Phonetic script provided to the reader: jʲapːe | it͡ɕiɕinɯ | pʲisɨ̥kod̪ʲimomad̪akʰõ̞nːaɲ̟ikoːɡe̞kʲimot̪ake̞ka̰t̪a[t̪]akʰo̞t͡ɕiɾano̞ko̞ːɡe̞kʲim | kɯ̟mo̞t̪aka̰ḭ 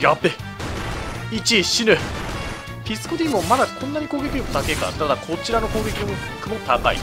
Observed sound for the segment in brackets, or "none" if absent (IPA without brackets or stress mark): d̪